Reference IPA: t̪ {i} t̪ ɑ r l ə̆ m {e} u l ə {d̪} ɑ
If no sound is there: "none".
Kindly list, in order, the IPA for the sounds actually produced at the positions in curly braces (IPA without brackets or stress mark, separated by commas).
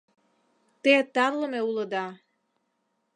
e, e, d̪